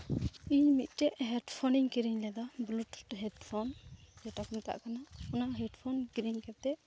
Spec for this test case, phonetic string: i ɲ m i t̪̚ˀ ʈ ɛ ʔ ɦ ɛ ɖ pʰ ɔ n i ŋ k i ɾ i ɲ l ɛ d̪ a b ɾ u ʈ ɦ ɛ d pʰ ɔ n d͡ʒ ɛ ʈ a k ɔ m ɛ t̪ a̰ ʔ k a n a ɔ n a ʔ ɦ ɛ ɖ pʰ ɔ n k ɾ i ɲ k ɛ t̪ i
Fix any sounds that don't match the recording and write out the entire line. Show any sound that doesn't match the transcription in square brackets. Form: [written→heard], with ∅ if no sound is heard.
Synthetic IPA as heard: i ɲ m i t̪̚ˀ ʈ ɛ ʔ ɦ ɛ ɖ pʰ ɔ n i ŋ k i ɾ i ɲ l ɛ d̪ a b [ɾ→l] u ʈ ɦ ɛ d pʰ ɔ n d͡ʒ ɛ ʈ a k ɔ m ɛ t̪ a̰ ʔ k a n a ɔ n a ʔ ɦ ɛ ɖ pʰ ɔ n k ɾ i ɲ k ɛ t̪ [i→ɛ]